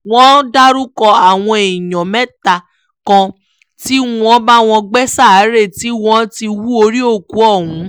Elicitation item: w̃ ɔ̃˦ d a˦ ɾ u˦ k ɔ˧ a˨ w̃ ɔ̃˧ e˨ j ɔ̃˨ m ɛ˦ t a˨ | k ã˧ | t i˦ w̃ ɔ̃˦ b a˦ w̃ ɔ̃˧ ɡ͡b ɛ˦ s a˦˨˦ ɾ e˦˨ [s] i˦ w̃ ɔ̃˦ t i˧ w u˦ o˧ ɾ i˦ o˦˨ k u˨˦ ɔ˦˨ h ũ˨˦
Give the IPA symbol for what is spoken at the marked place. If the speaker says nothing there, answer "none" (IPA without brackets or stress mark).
t